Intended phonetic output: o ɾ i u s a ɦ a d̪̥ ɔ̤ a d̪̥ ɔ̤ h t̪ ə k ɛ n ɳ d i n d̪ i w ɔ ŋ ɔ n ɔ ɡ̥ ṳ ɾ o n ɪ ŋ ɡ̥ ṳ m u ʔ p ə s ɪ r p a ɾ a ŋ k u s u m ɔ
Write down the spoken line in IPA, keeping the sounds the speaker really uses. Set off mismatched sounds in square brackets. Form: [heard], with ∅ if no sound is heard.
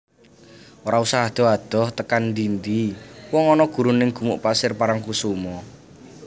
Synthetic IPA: o ɾ [a] u s a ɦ a d̪̥ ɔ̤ a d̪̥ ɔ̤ h t̪ ə k [a] n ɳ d i n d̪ i w ɔ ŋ ɔ n ɔ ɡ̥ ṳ ɾ [u] n ɪ ŋ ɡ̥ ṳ m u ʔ p [a] s ɪ r p a ɾ a ŋ k u s u m ɔ

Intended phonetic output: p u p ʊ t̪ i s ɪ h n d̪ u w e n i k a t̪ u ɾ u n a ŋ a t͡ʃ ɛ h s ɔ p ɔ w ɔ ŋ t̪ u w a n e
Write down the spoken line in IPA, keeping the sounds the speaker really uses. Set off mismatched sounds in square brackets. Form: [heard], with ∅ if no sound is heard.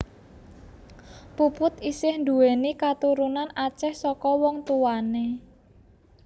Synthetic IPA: p u p ʊ t̪ i s ɪ h n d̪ u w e n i k a t̪ u ɾ u n a [n] a t͡ʃ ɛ h s ɔ [k] ɔ w ɔ ŋ t̪ u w a n e

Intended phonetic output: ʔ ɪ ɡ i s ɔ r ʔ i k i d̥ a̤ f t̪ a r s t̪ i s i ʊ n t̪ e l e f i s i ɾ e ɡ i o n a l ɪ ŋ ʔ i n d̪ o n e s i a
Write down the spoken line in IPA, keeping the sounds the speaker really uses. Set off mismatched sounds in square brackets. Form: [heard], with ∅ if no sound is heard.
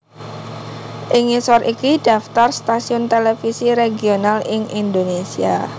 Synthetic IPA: ʔ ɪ [ŋ] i s ɔ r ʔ i k i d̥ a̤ f t̪ a r s t̪ [a] s i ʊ n t̪ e l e f i s i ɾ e ɡ i o n a l ɪ ŋ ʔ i n d̪ o n e s i a

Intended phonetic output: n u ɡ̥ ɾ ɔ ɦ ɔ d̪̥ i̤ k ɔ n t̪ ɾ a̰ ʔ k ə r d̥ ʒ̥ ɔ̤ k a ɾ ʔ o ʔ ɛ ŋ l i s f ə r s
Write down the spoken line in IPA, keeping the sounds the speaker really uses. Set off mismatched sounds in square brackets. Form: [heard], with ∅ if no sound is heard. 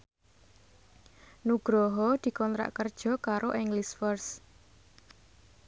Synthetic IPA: n u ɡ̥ ɾ ɔ ɦ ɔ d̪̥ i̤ k ɔ n t̪ ɾ a̰ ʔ k ə r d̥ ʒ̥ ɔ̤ k a ɾ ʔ o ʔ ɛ ŋ l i s f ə r s

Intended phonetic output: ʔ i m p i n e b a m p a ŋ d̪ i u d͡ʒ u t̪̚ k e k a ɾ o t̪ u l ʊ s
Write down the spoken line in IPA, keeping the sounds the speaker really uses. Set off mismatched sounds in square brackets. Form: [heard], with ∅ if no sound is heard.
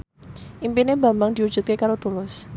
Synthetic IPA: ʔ i m p i n e b a m [b] a ŋ d̪ i u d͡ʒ u t̪̚ k e k a ɾ o t̪ u l ʊ s

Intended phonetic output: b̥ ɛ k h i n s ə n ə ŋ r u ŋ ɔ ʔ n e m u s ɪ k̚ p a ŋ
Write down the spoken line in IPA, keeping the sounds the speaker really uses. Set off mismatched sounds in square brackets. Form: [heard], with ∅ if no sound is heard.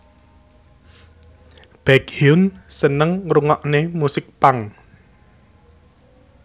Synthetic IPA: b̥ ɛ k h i n s ə n ə ŋ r u ŋ ɔ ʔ n e m u s ɪ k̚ p a ŋ

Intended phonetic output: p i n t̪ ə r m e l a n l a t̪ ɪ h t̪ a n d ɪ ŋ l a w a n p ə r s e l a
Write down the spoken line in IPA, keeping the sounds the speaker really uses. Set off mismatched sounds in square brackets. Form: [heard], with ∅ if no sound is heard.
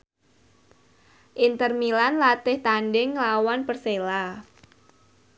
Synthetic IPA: [ʔ] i n t̪ ə r m [i] l a n l a t̪ ɪ h t̪ a n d ɪ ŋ l a w a n p ə r s e l a

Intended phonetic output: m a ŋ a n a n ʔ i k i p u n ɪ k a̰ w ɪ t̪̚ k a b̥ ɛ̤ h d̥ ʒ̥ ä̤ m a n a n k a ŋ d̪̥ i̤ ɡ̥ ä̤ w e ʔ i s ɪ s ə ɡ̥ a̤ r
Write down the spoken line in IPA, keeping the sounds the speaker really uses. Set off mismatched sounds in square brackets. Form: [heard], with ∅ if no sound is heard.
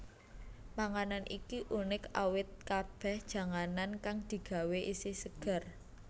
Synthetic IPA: m a ŋ a n a n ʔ i k i [ʔ] u n ɪ k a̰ w ɪ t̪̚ k a b̥ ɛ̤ h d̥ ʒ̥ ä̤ [ŋ] a n a n k a ŋ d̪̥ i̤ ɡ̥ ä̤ w e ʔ i s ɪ s ə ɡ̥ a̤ r

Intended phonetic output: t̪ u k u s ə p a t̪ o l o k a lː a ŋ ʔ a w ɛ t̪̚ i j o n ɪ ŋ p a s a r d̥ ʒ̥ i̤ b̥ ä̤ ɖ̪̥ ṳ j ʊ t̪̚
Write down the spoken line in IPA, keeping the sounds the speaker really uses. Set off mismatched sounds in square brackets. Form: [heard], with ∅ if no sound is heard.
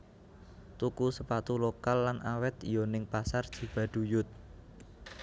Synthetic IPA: t̪ u k u s ə p a t̪ [u] l o k a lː a [n] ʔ a w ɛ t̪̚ i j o n ɪ ŋ p a s a r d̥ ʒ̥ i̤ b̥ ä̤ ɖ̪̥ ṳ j ʊ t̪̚

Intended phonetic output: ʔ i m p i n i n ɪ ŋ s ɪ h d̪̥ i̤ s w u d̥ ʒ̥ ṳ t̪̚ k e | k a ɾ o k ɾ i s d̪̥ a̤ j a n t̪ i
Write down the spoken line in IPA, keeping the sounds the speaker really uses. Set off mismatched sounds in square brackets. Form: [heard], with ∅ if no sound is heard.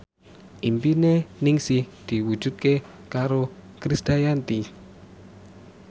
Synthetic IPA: ʔ i m p i n [e] n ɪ ŋ s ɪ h d̪̥ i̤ [∅] w u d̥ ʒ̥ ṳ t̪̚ k e | k a ɾ o k ɾ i s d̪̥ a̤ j a n t̪ i

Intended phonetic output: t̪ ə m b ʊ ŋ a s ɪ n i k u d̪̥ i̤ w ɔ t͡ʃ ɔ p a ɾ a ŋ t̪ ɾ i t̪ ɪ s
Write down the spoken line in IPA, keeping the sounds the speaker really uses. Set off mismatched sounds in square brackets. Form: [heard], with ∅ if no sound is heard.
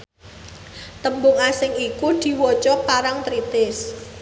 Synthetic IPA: t̪ ə m b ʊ ŋ a s ɪ [ŋ] i k u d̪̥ i̤ w ɔ t͡ʃ ɔ p a ɾ a ŋ t̪ ɾ i t̪ ɪ s

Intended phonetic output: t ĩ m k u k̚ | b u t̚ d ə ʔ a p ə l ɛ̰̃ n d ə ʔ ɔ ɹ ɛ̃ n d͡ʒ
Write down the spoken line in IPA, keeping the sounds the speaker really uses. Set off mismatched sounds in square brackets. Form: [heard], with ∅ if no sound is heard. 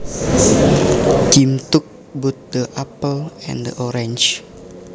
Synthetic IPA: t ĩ m [t] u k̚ | b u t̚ d ə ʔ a p ə l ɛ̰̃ n d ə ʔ ɔ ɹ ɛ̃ n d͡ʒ

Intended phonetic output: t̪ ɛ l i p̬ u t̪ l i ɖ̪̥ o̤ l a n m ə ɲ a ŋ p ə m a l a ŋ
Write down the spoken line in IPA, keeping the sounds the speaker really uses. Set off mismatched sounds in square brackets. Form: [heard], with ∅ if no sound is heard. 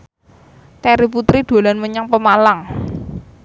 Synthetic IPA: t̪ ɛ [ɾ] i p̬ u t̪ [ɾ] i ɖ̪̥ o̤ l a n m ə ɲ a ŋ p ə m a l a ŋ

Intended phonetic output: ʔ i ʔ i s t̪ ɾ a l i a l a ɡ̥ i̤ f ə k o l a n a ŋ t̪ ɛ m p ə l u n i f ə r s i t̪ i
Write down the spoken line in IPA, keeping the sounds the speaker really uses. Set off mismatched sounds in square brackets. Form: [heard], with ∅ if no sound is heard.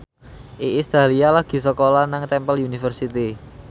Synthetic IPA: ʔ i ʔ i s t̪ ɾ a l i a l a ɡ̥ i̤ [s] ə k o l a n a ŋ t̪ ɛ m p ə l u n i f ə r s i t̪ i

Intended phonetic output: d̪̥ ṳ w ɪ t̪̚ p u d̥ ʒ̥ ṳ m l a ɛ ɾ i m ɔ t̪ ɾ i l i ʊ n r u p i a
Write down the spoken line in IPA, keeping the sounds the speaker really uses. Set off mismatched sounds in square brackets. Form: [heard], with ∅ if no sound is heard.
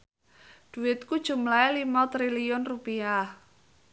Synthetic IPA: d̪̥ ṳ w ɪ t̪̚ [k] u d̥ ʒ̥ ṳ m l a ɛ [l] i m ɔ t̪ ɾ i l i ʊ n r u p i a

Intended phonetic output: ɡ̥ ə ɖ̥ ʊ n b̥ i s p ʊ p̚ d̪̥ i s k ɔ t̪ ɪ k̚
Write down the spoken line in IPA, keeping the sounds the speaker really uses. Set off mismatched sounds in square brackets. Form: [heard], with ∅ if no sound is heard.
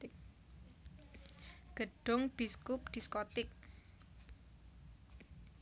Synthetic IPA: ɡ̥ ə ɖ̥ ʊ [ŋ] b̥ i s [k] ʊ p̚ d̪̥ i s k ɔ t̪ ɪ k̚

